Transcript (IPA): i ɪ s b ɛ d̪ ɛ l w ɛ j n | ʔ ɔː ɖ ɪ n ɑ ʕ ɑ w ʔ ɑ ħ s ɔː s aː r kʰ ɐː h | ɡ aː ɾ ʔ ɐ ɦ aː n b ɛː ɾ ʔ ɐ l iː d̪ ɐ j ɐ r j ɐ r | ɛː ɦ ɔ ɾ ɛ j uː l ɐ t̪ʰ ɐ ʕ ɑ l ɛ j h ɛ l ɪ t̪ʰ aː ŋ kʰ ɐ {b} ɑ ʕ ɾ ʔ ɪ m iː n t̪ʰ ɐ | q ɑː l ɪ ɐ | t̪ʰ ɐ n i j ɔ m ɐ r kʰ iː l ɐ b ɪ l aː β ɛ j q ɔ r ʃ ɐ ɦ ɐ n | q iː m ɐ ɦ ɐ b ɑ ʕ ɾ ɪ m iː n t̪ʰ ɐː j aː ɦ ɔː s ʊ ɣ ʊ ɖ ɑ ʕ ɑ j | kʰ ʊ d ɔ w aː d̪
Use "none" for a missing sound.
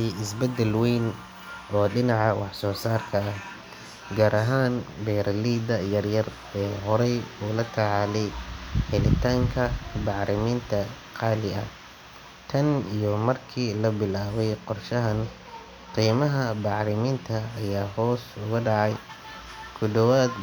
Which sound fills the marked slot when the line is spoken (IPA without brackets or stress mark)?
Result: b